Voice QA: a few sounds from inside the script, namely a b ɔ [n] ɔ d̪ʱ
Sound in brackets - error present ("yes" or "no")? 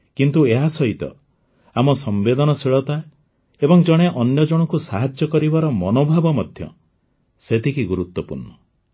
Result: yes